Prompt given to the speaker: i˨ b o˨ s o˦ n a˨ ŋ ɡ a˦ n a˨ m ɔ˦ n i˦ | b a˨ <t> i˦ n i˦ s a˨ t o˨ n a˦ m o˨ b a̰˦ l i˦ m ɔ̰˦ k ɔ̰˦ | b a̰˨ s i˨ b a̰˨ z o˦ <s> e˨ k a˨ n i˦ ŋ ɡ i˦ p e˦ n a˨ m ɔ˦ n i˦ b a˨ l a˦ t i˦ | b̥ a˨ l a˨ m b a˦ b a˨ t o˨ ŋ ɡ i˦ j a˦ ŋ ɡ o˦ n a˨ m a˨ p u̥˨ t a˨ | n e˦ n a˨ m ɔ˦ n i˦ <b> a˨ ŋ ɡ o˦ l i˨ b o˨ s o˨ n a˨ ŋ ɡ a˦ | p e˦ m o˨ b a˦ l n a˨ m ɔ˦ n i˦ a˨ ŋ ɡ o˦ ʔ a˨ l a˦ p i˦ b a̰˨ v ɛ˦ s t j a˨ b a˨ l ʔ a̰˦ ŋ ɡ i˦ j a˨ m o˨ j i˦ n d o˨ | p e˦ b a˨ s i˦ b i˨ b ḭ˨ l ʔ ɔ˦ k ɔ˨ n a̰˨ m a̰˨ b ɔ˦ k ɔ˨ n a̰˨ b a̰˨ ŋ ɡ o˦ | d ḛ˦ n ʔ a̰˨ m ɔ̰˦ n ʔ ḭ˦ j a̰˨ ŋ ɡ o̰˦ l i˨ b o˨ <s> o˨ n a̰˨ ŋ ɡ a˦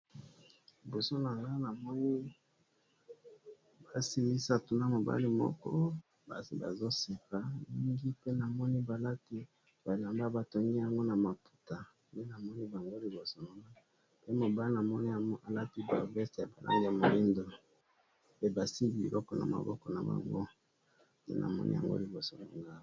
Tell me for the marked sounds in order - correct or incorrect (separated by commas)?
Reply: incorrect, correct, correct, correct